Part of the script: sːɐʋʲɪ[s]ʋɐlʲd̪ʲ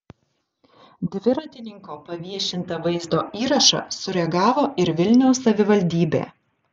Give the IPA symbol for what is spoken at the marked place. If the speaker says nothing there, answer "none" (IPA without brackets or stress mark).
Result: none